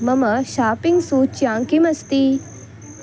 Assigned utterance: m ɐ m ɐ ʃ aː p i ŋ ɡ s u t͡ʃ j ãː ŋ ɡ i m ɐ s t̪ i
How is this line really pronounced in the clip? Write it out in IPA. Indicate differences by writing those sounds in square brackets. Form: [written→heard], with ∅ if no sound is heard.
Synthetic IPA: m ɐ m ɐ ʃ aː p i ŋ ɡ s u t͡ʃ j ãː ŋ [ɡ→k] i m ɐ s t̪ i